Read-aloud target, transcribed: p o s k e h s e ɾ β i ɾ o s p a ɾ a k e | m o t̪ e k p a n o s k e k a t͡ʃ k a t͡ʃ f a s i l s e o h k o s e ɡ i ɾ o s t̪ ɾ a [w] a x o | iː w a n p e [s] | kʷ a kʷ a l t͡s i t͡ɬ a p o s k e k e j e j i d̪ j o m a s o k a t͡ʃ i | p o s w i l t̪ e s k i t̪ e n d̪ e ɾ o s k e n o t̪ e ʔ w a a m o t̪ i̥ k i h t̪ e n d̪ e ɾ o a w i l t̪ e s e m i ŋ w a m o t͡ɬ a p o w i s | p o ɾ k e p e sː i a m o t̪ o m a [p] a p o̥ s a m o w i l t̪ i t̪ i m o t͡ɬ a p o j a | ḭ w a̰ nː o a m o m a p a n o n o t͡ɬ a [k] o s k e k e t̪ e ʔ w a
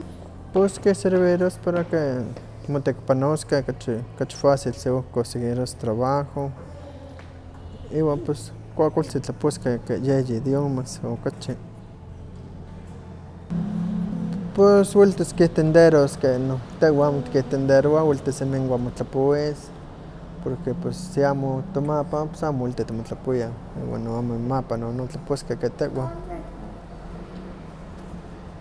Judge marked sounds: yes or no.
no, yes, yes, no

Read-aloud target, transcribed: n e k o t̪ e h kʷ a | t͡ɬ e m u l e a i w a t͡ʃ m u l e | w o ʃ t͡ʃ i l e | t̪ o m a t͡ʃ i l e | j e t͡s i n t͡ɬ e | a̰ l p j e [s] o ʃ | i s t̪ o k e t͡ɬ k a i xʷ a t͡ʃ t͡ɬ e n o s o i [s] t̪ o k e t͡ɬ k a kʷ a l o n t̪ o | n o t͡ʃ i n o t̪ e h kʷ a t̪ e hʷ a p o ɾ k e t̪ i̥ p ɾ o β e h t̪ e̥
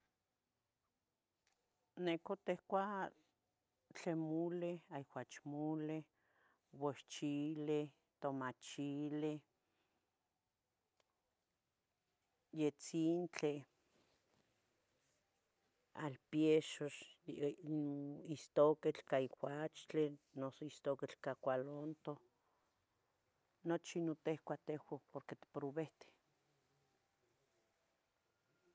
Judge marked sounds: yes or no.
no, yes

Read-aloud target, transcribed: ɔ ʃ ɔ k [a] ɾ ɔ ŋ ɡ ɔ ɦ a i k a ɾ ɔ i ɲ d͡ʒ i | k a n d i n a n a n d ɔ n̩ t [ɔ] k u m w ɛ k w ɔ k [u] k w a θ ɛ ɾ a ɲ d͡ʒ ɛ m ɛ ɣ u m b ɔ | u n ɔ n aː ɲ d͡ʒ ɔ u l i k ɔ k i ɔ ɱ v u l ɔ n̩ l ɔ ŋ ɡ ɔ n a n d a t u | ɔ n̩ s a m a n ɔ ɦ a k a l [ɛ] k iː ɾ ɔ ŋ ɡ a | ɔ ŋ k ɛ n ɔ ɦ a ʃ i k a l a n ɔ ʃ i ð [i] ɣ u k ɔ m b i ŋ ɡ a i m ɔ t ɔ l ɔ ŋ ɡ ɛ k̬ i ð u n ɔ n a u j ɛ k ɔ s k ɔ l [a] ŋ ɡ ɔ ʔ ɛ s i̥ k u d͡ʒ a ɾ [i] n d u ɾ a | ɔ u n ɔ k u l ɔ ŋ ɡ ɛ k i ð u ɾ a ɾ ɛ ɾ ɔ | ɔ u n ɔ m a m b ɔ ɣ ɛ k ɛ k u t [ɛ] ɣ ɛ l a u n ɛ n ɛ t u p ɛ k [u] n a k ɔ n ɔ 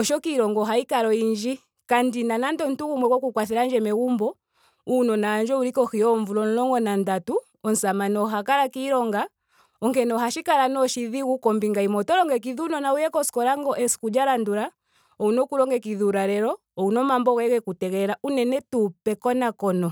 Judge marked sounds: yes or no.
no, no, yes, no, yes, yes, no, yes, no

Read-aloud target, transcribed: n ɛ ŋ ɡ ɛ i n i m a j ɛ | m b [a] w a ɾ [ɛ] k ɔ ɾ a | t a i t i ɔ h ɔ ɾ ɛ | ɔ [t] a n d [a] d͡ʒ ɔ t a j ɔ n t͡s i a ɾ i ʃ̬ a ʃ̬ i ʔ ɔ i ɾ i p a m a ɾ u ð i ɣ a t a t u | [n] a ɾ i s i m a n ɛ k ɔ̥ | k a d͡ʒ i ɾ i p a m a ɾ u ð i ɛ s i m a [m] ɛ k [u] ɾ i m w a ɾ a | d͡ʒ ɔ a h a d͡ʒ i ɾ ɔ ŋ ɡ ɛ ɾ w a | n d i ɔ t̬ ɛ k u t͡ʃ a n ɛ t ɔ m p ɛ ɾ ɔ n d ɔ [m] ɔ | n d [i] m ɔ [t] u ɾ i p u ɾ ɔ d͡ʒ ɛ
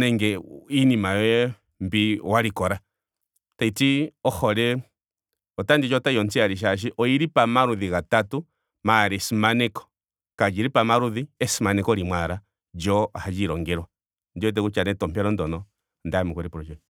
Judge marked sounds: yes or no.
no, no, yes, no, no, no, no, no, no, no

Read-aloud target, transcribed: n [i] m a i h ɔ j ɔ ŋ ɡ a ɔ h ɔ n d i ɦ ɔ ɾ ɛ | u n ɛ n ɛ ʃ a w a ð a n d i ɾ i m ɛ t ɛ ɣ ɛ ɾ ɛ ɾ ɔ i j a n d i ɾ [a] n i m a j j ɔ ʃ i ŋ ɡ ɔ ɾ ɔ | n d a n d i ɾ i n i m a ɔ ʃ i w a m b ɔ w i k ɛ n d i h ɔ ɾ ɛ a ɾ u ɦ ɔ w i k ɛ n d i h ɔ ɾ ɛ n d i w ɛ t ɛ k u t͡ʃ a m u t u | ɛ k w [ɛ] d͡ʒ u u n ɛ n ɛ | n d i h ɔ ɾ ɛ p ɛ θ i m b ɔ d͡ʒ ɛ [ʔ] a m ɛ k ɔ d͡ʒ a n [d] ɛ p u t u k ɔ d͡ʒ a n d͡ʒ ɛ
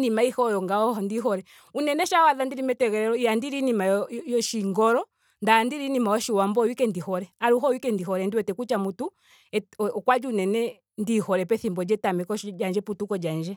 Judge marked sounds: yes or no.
yes, no, no, no, no

